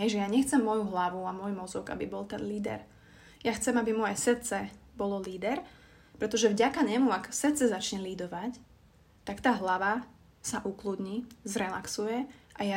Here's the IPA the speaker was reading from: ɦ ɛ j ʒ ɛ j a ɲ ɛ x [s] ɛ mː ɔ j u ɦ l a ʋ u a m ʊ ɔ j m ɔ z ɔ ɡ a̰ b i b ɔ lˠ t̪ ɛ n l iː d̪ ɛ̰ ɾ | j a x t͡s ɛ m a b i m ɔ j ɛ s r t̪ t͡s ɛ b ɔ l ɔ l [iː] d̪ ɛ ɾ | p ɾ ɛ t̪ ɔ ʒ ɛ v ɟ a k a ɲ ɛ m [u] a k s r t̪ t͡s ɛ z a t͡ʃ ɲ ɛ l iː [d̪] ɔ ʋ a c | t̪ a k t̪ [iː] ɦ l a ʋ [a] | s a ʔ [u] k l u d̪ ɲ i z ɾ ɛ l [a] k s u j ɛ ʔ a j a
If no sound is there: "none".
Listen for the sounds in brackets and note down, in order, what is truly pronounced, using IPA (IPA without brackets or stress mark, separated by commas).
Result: t͡s, iː, u, d̪, aː, a, u, a